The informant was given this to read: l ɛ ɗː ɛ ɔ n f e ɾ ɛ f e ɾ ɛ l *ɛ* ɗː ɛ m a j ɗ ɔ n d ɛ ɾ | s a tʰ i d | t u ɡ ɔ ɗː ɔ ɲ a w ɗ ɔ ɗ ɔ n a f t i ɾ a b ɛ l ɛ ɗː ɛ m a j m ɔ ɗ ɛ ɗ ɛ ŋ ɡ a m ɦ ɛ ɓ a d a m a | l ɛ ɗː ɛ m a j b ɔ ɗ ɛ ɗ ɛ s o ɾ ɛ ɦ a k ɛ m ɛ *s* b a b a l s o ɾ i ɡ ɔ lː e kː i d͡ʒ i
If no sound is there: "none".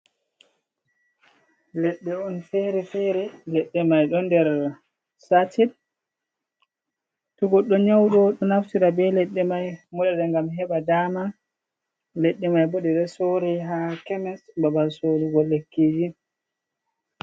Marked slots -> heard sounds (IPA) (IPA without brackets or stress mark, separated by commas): ɛ, s